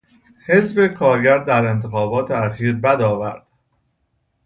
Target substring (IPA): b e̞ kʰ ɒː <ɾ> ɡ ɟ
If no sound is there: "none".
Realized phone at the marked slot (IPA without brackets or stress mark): ɾ